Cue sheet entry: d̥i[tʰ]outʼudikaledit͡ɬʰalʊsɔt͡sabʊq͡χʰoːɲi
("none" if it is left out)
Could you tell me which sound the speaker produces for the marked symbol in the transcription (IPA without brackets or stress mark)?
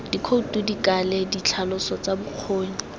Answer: kʰ